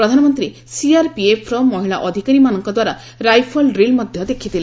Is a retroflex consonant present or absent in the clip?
present